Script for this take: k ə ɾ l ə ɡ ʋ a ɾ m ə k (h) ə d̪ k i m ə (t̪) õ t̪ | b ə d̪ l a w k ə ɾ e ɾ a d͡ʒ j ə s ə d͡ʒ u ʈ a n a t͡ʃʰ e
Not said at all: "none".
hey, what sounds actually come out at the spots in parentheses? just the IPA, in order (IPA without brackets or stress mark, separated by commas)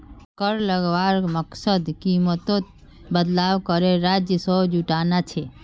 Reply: s, t̪